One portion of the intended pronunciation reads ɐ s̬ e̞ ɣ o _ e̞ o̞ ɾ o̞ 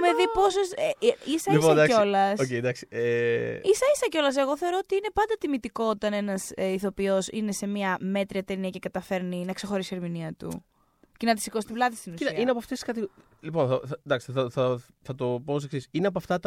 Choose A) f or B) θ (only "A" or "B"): B